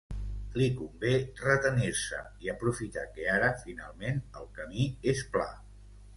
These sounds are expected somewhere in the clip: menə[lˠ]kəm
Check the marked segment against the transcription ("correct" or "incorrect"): correct